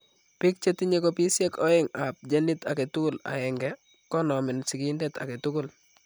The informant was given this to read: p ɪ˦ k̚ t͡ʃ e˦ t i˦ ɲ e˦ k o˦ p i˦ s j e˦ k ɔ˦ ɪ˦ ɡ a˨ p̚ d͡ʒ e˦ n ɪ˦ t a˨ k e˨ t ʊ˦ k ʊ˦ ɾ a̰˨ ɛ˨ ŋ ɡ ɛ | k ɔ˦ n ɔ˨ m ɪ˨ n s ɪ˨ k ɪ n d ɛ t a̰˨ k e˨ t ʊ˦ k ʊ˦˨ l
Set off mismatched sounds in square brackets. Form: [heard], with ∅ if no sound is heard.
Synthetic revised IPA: p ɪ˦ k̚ t͡ʃ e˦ t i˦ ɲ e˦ k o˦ p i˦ s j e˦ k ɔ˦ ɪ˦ [ŋ] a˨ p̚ d͡ʒ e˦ n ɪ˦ t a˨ k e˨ t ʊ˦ k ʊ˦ [l] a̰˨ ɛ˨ ŋ ɡ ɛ | k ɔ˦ n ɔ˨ m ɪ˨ n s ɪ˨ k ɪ n d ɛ t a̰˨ k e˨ t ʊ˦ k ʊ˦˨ l